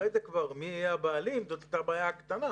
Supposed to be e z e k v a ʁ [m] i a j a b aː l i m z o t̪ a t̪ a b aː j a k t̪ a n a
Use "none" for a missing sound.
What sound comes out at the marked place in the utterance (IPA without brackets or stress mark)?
m